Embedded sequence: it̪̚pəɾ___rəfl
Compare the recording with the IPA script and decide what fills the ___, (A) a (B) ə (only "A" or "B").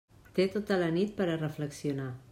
B